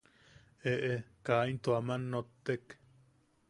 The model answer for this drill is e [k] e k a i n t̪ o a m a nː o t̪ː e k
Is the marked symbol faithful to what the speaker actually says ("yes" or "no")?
no